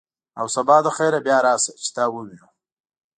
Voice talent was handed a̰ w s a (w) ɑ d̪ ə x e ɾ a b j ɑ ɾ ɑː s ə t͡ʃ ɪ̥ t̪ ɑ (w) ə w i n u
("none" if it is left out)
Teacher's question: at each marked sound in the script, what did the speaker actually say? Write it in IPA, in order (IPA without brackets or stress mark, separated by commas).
b, w